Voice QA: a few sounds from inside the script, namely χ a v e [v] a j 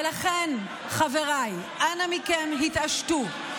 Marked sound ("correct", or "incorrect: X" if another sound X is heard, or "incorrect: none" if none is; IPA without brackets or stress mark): incorrect: ʁ